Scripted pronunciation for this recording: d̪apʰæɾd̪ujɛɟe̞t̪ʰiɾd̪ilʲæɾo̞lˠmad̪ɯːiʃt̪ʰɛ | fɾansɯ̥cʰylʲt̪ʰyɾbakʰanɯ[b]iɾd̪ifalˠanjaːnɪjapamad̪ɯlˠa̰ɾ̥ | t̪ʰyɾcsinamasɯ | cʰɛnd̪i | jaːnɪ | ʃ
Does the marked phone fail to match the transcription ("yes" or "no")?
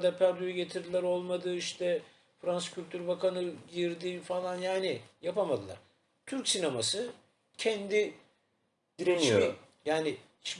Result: yes